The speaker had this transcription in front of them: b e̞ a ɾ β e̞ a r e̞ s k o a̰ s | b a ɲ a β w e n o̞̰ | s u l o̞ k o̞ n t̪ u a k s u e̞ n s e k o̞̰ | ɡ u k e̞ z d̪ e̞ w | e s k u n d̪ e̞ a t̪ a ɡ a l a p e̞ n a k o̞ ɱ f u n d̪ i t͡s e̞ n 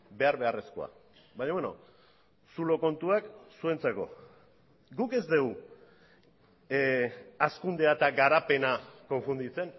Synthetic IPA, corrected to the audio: b e̞ a ɾ β e̞ a r e̞ s k o a̰ | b a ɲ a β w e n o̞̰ | s u l o̞ k o̞ n t̪ u a k s u e̞ n t͡s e k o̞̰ | ɡ u k e̞ z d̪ e̞ w | a s k u n d̪ e̞ a t̪ a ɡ a ɾ a p e̞ n a k o̞ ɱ f u n d̪ i t͡s e̞ n